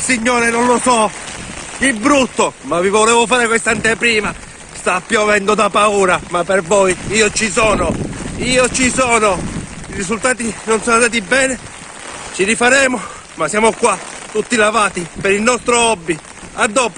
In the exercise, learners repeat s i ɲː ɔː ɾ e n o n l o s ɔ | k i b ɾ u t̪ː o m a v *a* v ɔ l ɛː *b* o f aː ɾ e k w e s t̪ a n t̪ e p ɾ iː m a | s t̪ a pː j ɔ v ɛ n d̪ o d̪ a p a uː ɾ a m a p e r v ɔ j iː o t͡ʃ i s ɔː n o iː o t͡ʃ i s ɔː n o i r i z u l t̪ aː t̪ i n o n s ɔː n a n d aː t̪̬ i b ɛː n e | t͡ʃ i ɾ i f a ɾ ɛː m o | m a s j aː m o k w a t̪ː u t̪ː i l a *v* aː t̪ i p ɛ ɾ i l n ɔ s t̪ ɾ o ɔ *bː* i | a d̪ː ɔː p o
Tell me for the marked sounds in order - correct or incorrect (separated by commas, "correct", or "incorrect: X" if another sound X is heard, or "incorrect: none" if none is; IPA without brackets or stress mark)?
incorrect: i, incorrect: v, correct, correct